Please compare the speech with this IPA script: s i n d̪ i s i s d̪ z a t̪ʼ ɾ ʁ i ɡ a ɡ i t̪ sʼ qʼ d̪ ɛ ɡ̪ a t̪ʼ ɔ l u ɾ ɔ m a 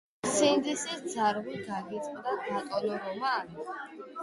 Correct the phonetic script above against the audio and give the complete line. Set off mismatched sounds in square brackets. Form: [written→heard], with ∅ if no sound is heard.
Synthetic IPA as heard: s i n d̪ i s i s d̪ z a [t̪ʼ→∅] ɾ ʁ i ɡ a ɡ i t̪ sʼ qʼ d̪ [ɛ→a] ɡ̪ a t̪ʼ ɔ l [u→ɔ] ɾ ɔ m a